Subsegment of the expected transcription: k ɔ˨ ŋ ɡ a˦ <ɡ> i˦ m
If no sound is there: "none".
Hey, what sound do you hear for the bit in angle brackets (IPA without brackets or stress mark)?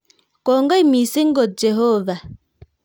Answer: none